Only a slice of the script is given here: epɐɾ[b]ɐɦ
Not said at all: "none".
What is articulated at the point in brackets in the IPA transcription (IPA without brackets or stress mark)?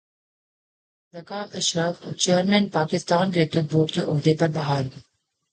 b